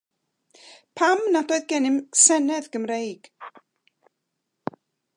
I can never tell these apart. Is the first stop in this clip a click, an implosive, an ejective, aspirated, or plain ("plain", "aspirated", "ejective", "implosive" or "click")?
aspirated